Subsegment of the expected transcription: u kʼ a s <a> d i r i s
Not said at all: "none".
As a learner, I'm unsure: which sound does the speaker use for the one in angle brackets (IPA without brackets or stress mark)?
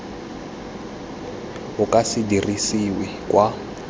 i